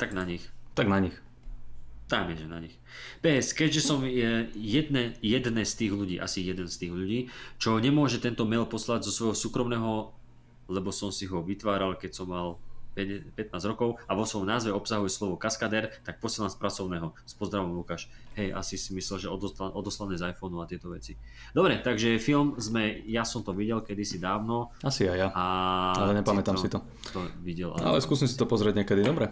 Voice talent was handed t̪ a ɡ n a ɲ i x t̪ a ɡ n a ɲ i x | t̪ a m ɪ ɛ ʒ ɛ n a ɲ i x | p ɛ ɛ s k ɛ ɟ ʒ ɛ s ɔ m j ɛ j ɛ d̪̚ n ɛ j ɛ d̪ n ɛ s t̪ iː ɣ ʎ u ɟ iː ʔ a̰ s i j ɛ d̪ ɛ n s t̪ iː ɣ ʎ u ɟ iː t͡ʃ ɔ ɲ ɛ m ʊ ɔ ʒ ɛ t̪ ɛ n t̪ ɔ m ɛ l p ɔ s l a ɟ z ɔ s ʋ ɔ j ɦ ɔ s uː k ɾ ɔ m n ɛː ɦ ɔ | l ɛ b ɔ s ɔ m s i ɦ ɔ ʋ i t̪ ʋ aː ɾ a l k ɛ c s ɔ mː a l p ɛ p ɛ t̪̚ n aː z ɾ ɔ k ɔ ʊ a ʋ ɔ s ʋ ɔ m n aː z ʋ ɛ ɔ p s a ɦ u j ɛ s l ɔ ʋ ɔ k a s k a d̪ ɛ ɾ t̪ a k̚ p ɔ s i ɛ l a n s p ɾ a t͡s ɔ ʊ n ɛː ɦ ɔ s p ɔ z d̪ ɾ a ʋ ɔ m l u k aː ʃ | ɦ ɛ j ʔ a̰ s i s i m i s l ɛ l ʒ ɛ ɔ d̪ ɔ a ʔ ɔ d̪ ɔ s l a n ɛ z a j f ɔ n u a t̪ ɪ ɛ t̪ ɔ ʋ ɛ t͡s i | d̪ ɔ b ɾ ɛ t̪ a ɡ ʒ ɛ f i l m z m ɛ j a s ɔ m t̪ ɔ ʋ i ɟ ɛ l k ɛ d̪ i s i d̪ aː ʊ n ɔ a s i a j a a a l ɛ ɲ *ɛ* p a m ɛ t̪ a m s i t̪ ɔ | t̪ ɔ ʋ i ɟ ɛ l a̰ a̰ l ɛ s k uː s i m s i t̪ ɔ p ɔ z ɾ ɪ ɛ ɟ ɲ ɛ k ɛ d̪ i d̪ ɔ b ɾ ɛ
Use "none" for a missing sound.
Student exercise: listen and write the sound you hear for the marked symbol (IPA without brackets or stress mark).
ɛ